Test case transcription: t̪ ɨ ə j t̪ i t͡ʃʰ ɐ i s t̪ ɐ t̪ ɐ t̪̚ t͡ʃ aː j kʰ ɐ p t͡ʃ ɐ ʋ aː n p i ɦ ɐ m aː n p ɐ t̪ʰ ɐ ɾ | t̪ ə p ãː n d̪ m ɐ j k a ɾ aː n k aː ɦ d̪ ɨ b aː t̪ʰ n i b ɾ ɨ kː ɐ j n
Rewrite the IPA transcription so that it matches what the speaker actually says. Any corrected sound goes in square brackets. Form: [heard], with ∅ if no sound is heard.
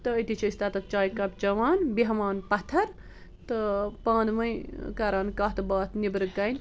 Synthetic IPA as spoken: t̪ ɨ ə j t̪ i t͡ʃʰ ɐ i s t̪ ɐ t̪ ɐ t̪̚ t͡ʃ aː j [k] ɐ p t͡ʃ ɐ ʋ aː n [b] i ɦ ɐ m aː n p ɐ t̪ʰ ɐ ɾ | t̪ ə p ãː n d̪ m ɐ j k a ɾ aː n k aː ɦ [t̪] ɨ b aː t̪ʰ n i b ɾ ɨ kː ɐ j n